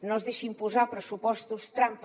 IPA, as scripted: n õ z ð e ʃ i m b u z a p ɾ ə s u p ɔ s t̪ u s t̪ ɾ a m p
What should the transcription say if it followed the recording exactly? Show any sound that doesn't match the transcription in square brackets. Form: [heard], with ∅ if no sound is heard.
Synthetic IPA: n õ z ð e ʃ i m [p] u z a p ɾ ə s u p ɔ s t̪ u s t̪ ɾ a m p